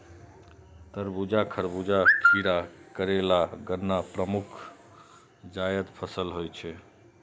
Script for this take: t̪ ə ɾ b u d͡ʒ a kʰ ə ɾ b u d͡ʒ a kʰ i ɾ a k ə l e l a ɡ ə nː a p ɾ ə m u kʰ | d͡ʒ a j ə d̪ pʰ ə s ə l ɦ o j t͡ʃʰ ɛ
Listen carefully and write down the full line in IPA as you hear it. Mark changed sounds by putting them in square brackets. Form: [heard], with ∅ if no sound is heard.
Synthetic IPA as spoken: t̪ ə ɾ b u d͡ʒ a kʰ ə ɾ b u d͡ʒ a [ʈʰ] i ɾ a k ə [ɾ] e l a ɡ ə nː a p ɾ ə m u kʰ | d͡ʒ a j ə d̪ pʰ ə s ə l ɦ o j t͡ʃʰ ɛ